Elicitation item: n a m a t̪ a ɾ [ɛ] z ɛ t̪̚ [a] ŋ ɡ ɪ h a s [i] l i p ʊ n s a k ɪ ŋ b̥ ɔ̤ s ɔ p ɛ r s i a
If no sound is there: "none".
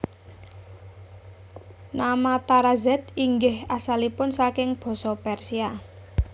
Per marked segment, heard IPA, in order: a, i, a

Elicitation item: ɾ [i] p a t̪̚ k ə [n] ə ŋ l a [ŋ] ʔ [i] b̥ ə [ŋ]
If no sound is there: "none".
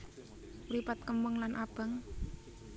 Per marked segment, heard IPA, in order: i, m, n, a, ŋ

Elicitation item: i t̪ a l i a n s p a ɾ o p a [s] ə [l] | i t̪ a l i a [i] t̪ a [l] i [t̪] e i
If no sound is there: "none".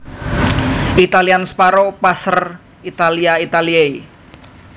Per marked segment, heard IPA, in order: s, r, i, l, none

